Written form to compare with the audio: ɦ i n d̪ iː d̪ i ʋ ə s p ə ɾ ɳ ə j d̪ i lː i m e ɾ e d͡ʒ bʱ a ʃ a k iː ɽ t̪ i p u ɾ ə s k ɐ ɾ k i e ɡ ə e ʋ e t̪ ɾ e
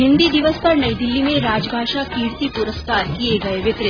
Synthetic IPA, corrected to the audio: ɦ i n d̪ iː d̪ i ʋ ə s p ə ɾ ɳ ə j d̪ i lː i m e ɾ a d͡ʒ bʱ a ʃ a k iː ɽ t̪ i p u ɾ ə s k a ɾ k i e ɡ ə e ʋ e t̪ ɾ e